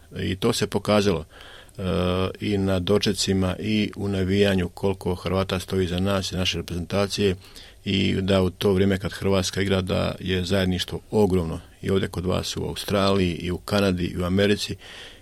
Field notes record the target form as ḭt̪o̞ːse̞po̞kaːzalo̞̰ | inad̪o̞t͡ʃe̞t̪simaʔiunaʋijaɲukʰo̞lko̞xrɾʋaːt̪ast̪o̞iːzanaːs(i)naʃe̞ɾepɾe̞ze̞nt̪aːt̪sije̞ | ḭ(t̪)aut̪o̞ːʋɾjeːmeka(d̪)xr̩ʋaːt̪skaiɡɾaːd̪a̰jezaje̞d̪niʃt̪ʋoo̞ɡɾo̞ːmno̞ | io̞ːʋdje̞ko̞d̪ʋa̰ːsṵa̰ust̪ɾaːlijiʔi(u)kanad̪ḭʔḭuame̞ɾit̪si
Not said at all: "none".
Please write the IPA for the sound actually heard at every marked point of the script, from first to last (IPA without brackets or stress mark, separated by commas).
i, d̪, d̪, u